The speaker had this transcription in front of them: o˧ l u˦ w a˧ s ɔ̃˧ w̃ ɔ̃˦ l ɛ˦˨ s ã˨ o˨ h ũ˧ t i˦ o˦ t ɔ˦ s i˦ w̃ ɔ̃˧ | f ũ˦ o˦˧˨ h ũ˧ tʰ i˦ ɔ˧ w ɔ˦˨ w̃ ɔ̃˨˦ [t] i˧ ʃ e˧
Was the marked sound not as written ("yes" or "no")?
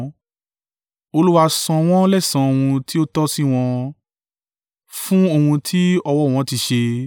no